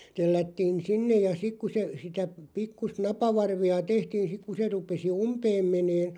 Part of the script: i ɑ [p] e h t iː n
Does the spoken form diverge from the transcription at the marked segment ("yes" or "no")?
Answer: yes